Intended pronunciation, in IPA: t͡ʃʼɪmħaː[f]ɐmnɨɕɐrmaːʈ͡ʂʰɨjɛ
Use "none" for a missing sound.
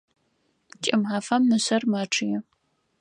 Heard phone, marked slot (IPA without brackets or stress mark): f